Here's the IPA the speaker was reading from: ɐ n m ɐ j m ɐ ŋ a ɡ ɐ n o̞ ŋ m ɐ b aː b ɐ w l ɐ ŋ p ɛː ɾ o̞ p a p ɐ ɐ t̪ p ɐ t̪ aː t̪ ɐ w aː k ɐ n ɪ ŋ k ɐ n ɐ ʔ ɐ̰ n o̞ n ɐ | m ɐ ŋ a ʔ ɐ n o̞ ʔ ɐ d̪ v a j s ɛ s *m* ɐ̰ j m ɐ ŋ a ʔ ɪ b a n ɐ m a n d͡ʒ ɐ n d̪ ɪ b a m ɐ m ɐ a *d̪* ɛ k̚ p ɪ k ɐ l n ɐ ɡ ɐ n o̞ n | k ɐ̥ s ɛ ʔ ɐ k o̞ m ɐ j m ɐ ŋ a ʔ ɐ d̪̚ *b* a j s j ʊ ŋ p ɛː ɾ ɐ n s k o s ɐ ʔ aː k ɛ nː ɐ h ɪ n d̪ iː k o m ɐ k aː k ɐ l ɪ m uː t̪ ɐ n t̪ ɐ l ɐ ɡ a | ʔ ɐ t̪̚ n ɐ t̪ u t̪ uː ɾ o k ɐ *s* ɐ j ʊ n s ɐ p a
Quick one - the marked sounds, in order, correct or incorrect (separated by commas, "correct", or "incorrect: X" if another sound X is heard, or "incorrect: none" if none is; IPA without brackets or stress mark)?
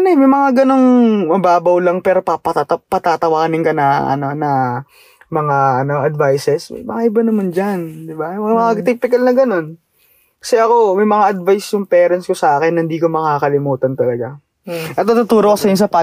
correct, incorrect: t̪, incorrect: v, correct